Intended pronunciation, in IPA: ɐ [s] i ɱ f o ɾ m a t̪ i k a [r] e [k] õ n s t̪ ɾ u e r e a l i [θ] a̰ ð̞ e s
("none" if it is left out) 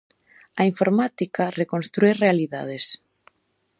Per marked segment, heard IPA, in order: none, r, k, ð

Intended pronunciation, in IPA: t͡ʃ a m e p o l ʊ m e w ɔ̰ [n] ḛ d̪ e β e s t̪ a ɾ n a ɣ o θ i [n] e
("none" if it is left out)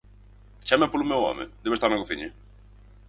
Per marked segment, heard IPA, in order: m, ɲ

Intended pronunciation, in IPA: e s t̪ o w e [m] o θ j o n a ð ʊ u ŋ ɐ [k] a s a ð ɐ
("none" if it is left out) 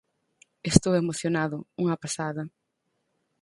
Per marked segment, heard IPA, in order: m, p

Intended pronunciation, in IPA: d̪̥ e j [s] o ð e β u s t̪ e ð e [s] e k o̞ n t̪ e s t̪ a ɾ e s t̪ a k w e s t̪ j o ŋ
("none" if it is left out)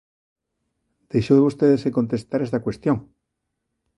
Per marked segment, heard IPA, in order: ʃ, s

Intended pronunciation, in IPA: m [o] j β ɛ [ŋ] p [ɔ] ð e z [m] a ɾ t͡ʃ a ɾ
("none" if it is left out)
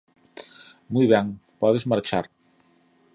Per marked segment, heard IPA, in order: u, ŋ, ɔ, m

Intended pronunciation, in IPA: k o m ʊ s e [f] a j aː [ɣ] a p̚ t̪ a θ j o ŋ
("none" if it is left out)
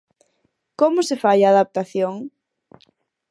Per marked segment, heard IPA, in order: f, ð

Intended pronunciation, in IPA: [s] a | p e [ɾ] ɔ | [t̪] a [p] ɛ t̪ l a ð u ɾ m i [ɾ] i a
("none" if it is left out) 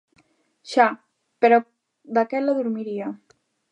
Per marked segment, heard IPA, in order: ʃ, ɾ, d̪, k, ɾ

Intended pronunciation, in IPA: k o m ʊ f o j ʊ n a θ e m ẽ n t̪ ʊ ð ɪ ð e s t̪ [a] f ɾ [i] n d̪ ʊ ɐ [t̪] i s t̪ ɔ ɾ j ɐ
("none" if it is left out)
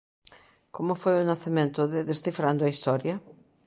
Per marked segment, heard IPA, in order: i, a, none

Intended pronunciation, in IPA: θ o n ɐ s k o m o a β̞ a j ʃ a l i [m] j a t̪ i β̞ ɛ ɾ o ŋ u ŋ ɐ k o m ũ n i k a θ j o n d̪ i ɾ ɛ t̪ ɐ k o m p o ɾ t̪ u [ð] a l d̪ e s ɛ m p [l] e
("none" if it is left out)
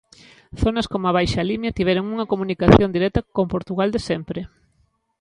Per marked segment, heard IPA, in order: m, ɣ, ɾ

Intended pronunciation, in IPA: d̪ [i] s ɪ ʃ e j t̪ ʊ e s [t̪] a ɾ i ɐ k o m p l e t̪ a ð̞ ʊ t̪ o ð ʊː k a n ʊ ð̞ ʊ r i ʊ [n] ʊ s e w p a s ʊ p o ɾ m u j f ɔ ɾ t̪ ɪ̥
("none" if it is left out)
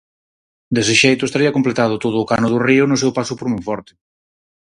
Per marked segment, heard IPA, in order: e, t̪, n

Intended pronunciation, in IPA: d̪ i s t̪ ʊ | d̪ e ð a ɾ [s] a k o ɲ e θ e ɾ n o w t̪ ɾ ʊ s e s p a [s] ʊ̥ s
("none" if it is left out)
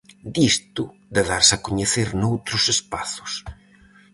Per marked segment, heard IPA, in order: s, θ

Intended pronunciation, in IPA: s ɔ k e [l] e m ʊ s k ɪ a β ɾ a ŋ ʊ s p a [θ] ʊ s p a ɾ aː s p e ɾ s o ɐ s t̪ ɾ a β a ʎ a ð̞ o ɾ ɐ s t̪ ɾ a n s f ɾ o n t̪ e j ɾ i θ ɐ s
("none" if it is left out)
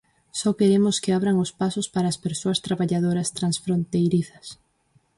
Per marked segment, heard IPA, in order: ɾ, s

